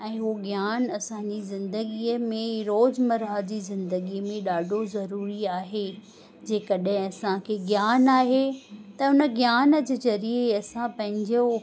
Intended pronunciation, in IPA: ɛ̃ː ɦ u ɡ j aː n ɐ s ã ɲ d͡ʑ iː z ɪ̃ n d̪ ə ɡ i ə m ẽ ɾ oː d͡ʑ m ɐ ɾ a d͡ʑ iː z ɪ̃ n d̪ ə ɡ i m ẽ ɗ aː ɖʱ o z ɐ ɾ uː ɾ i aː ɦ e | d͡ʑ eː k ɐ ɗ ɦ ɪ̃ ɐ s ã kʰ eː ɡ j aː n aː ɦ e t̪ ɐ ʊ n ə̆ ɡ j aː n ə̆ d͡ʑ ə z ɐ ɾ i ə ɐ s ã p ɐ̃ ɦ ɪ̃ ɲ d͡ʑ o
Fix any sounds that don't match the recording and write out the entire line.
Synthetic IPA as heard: ɛ̃ː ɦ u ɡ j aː n ɐ s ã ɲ d͡ʑ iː z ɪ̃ n d̪ ə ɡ i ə m ẽ ɾ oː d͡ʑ m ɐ ɾ a d͡ʑ iː z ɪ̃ n d̪ ə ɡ i m ẽ ɗ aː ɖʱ o z ɐ ɾ uː ɾ i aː ɦ e | d͡ʑ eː k ɐ ɗ ɦ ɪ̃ ɐ s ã kʰ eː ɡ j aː n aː ɦ e t̪ ɐ ʊ n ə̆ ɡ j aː n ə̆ d͡ʑ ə z ɐ ɾ i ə ɐ s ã p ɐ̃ ɦ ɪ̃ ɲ d͡ʑ o